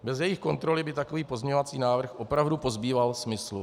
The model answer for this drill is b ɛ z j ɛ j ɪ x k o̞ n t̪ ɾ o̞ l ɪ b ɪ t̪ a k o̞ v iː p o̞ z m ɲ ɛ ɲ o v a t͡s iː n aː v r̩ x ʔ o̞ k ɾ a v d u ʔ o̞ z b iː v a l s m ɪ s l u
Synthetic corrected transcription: b ɛ z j ɛ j ɪ x k o̞ n t̪ ɾ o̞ l ɪ b ɪ t̪ a k o̞ v iː p o̞ z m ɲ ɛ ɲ o v a t͡s iː n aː v r̩ x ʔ o̞ p ɾ a v d u p o̞ z b iː v a l s m ɪ s l u